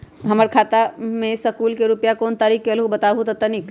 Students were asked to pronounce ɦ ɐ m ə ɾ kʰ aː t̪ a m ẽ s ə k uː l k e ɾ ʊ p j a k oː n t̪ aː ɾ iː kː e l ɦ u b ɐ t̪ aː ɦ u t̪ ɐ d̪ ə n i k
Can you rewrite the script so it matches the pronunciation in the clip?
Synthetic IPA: ɦ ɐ m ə ɾ kʰ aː t̪ a m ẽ s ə k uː l k e ɾ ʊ p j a k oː n t̪ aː ɾ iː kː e l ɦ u b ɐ t̪ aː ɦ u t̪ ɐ t̪ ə n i k